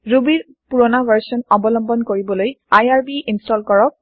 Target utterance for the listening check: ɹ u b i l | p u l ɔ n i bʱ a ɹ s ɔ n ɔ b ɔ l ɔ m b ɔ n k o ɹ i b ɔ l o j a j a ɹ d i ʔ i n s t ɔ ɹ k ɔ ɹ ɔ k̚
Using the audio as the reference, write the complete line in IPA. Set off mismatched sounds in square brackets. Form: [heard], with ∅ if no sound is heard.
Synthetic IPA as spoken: ɹ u b i [ɹ] | p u [ɹ] ɔ n [a] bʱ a ɹ s ɔ n ɔ b ɔ l ɔ m b ɔ n k o ɹ i b ɔ l o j a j a ɹ [b] i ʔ i n s t ɔ [l] k ɔ ɹ ɔ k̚